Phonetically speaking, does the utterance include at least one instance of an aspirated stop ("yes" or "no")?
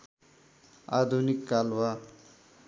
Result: no